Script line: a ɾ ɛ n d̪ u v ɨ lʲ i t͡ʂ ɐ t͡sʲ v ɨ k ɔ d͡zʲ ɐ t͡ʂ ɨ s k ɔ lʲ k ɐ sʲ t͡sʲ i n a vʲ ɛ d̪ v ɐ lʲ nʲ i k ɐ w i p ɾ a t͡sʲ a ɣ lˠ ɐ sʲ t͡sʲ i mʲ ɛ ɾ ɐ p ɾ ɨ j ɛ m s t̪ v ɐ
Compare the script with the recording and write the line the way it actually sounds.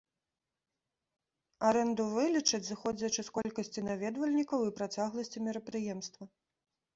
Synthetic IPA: a ɾ ɛ n d̪ u v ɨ lʲ i t͡ʂ ɐ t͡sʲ z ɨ x ɔ d͡zʲ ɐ t͡ʂ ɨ s k ɔ lʲ k ɐ sʲ t͡sʲ i n a vʲ ɛ d̪ v ɐ lʲ nʲ i k ɐ w i p ɾ a t͡sʲ a ɣ lˠ ɐ sʲ t͡sʲ i mʲ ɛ ɾ ɐ p ɾ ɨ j ɛ m s t̪ v ɐ